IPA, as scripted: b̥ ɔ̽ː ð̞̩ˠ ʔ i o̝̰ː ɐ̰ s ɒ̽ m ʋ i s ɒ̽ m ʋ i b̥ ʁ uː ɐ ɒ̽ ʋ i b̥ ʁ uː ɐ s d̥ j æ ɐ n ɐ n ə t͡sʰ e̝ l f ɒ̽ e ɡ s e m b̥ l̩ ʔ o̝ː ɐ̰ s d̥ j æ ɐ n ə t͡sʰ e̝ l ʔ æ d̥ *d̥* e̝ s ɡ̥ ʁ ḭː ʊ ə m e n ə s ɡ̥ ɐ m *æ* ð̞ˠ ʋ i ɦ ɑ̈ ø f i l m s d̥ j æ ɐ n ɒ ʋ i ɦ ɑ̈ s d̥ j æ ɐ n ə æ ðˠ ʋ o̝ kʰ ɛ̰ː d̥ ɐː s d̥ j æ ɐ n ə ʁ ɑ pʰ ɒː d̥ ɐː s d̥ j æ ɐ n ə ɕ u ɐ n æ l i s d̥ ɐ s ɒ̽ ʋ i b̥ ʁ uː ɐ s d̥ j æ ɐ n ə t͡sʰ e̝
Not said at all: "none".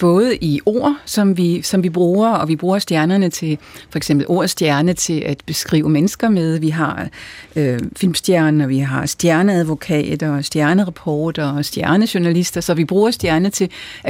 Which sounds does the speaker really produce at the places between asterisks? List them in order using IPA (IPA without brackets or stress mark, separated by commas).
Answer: b̥, e